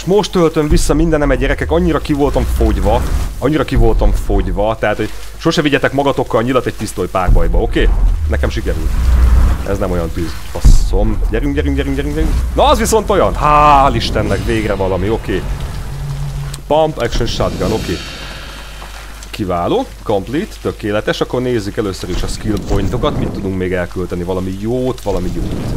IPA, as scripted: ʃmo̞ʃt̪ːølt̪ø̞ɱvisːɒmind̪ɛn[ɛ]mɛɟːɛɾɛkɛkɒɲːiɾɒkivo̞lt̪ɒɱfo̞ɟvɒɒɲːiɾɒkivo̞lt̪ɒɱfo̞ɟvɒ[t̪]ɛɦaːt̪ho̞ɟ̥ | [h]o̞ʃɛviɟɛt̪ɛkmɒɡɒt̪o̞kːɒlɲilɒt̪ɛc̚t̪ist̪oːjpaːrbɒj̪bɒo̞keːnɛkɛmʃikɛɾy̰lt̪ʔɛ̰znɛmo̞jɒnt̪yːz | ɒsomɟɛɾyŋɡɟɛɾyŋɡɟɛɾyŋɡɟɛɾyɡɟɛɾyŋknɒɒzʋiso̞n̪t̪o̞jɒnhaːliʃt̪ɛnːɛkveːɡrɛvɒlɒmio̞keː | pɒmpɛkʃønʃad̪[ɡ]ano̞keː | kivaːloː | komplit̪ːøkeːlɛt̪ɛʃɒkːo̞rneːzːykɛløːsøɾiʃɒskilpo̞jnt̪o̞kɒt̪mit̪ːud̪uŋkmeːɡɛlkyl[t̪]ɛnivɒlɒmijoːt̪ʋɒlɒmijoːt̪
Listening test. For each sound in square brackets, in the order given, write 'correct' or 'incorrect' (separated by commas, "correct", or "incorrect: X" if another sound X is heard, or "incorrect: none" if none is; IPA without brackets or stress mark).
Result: correct, correct, incorrect: ʃ, correct, correct